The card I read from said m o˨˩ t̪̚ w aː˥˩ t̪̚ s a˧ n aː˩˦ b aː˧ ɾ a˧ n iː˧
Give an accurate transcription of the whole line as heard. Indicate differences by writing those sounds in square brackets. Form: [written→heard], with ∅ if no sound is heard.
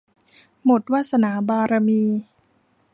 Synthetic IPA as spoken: m o˨˩ t̪̚ w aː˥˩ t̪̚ s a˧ n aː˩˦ b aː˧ ɾ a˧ [n→m] iː˧